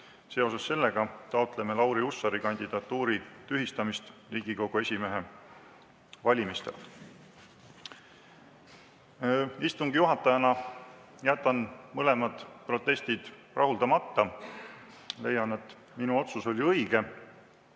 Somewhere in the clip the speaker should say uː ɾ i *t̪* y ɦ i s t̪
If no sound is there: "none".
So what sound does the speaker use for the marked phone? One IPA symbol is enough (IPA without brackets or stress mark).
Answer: t̪